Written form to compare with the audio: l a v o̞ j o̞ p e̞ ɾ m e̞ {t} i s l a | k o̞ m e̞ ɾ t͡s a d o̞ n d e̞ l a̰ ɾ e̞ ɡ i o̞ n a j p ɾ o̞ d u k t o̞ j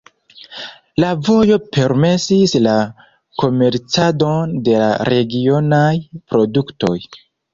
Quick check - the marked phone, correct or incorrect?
incorrect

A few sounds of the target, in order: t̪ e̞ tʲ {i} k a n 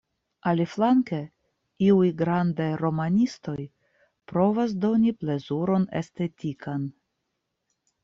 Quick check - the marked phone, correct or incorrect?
correct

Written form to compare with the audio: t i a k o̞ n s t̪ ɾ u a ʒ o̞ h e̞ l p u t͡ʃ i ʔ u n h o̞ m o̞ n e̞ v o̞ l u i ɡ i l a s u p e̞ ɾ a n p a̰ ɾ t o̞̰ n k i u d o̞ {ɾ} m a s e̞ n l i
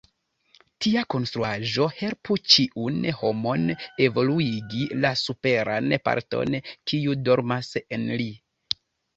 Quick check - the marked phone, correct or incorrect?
correct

